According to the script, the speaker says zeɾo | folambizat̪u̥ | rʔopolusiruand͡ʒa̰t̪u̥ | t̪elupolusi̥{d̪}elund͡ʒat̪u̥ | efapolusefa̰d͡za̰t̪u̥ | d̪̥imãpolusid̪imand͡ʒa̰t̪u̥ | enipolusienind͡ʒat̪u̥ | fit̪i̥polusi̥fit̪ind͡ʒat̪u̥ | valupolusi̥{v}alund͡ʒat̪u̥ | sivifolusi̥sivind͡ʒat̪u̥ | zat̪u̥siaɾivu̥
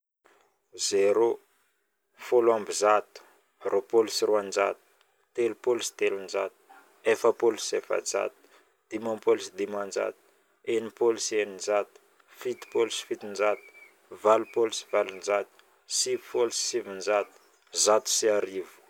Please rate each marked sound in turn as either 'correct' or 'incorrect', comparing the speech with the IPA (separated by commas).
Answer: incorrect, correct